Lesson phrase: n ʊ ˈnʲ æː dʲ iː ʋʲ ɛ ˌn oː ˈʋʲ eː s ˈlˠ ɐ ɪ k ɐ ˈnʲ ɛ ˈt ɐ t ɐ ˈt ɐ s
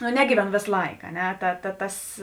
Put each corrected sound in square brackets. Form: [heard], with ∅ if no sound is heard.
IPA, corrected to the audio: n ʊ ˈnʲ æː [ɡʲ] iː ʋʲ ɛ ˌn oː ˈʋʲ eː s ˈlˠ ɐ ɪ k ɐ ˈnʲ ɛ ˈt ɐ t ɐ ˈt ɐ s